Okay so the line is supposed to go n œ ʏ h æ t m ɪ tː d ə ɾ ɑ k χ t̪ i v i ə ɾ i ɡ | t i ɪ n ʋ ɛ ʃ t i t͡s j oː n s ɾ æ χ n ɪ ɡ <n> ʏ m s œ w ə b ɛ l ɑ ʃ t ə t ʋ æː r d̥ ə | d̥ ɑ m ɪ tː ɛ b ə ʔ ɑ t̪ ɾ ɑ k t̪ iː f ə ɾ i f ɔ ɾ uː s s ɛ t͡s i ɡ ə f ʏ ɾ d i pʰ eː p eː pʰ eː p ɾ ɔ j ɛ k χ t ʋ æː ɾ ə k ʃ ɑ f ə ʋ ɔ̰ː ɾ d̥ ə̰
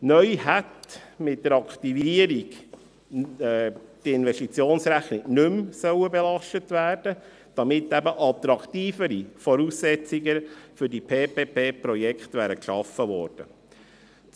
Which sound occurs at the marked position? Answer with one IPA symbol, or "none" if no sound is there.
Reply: n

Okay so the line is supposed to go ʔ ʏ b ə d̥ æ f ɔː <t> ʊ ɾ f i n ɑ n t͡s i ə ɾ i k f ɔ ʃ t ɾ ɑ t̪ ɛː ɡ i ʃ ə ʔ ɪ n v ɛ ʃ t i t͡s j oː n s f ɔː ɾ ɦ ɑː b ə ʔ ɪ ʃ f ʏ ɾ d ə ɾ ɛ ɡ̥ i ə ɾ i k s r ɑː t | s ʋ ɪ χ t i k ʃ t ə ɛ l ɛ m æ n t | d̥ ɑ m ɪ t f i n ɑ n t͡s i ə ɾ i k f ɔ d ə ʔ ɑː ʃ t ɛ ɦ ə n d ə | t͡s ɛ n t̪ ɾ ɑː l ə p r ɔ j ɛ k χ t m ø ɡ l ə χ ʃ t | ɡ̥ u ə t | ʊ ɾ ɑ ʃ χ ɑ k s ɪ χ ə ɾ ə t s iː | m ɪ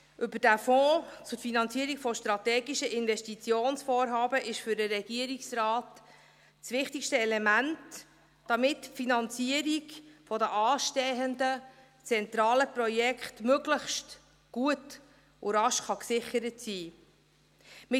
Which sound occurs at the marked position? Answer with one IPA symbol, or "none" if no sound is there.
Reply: t͡s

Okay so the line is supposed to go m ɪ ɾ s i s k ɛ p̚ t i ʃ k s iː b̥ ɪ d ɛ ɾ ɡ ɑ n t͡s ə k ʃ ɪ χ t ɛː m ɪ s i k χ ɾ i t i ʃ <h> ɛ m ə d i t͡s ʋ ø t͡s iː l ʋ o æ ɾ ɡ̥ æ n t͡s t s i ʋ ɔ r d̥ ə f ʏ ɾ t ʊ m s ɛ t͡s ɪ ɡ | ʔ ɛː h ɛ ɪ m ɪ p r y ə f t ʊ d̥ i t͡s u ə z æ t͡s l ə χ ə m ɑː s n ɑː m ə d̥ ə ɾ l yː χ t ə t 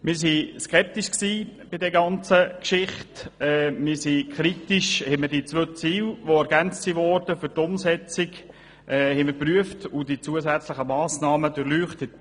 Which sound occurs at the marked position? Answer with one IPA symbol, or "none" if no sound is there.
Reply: h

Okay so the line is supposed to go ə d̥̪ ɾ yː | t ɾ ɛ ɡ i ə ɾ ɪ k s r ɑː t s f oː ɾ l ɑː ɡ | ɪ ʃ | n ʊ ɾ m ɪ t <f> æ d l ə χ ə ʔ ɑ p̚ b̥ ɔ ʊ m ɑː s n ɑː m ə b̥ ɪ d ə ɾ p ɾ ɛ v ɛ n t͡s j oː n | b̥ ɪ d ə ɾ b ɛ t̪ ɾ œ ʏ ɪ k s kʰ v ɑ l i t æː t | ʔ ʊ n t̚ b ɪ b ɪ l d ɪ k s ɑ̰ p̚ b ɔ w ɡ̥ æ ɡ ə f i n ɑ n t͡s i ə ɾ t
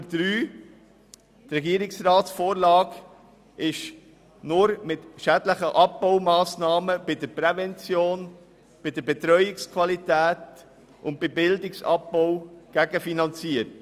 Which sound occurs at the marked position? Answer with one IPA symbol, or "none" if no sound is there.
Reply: ʃ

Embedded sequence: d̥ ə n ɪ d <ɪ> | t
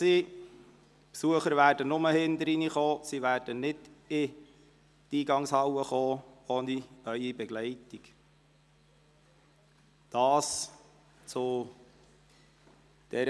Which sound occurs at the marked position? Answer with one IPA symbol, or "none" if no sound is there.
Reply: ɪ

